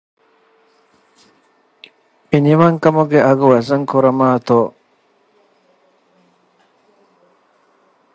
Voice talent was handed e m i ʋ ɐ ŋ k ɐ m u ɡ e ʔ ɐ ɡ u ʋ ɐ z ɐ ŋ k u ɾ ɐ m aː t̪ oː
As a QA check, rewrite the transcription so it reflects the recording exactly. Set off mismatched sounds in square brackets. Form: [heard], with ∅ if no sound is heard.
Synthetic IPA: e [n] i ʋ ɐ ŋ k ɐ m u ɡ e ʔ ɐ ɡ u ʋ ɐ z ɐ ŋ k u ɾ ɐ m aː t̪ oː